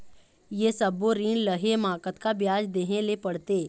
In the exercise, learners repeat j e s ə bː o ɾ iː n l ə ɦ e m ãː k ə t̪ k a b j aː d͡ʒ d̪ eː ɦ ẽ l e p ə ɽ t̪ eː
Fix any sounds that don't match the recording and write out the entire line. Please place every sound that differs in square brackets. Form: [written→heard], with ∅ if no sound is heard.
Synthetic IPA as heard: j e s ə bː o ɾ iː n l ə ɦ e m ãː k ə t̪ k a b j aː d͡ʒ d̪ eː ɦ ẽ l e p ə ɽ t̪ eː